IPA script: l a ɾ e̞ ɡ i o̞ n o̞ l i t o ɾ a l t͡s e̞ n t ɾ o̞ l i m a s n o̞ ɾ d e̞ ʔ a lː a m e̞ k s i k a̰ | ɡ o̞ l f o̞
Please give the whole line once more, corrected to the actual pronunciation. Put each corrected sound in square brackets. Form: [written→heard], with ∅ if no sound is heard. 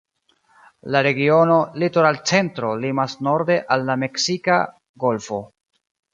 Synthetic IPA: l a ɾ e̞ ɡ i o̞ n o̞ l i t o ɾ a l t͡s e̞ n t ɾ o̞ l i m a s n o̞ ɾ d e̞ ʔ a lː a m e̞ k s i k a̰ | ɡ o̞ l f o̞